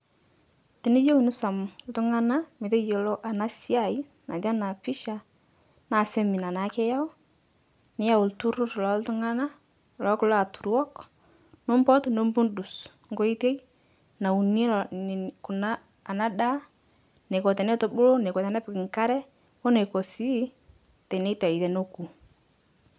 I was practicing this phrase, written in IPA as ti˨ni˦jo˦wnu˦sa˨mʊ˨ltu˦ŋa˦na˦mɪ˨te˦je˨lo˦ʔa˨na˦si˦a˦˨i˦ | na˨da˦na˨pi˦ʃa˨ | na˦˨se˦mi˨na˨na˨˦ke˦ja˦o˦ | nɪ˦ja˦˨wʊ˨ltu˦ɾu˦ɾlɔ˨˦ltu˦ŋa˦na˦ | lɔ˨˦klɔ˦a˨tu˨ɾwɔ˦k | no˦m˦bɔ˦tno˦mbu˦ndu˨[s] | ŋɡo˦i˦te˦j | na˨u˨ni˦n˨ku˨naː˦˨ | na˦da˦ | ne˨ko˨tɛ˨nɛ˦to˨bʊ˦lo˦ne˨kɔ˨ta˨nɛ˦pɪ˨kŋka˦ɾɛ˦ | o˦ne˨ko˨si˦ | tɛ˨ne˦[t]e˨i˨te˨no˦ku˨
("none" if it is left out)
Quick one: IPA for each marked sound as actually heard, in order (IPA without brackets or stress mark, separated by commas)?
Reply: s, t